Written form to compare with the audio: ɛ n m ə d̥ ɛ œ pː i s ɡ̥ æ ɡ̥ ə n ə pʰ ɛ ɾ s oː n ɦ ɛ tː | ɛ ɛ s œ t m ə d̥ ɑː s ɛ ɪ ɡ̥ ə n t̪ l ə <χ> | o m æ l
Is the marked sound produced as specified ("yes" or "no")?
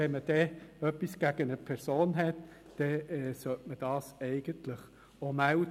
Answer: yes